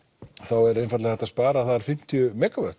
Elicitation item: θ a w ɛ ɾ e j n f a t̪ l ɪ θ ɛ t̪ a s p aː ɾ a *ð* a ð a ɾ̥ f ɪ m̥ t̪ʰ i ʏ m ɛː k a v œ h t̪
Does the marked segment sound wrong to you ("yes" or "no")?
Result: yes